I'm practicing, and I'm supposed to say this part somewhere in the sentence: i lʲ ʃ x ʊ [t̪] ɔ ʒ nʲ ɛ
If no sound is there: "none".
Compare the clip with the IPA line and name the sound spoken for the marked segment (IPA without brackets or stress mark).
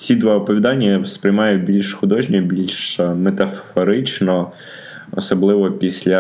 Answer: d̪